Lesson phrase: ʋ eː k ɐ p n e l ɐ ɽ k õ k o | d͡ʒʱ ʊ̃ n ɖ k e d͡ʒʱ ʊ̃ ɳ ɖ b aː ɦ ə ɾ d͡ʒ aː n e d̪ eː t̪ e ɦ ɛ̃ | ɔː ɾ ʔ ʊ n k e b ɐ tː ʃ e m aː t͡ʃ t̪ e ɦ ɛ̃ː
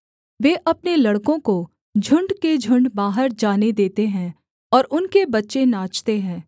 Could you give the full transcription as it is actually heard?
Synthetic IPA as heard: ʋ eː ʔ ɐ p n e l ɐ ɽ k õ k o | d͡ʒʱ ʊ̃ ɳ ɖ k e d͡ʒʱ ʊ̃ ɳ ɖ b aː ɦ ə ɾ d͡ʒ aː n e d̪ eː t̪ e ɦ ɛ̃ | ɔː ɾ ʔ ʊ n k e b ɐ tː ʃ e n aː t͡ʃ t̪ e ɦ ɛ̃ː